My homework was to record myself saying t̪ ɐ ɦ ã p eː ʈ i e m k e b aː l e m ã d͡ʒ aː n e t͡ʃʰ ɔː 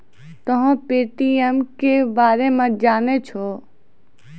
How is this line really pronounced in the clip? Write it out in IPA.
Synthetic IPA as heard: t̪ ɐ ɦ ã p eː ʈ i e m k e b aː ɾ e m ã d͡ʒ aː n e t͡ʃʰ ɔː